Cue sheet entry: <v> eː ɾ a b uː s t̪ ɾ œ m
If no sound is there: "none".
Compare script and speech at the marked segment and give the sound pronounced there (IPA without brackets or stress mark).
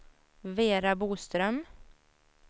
v